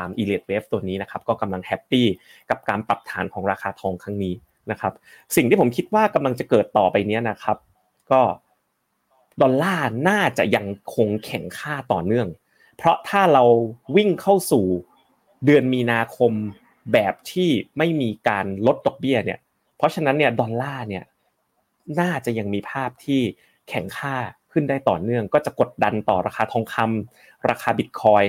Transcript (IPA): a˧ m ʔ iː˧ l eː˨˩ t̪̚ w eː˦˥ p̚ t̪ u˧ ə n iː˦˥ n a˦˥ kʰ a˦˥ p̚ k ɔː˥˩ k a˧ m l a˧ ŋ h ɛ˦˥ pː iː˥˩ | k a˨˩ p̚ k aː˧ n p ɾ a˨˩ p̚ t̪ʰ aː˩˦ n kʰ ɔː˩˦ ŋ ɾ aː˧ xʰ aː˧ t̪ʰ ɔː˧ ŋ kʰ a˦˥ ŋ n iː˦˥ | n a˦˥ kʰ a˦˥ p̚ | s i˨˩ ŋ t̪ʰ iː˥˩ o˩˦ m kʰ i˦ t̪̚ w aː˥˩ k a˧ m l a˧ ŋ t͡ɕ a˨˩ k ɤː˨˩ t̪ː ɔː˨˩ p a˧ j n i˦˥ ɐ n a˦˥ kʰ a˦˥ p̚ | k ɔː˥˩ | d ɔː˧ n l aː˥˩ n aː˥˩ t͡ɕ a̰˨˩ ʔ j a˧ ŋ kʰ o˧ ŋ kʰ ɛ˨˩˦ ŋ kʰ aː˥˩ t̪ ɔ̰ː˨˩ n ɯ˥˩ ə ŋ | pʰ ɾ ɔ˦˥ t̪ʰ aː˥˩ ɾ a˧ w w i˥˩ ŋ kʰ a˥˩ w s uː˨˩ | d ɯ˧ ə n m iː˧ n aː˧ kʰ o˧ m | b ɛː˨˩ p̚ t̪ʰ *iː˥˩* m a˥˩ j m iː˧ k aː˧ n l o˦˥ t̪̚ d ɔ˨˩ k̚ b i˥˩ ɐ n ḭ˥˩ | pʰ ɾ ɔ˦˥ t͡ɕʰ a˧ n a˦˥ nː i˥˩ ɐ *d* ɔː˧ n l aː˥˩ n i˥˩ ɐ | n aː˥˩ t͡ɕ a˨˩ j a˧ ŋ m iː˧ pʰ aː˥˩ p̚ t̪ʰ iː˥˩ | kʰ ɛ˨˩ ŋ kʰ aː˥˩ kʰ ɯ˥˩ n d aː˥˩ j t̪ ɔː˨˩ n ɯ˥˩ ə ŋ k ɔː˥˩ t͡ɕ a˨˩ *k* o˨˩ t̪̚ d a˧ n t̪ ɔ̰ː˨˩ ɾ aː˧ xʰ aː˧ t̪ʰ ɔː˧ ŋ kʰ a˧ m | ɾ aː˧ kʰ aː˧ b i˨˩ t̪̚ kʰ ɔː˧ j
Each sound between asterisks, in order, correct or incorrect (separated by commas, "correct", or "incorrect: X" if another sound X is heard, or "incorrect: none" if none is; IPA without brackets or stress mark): correct, correct, correct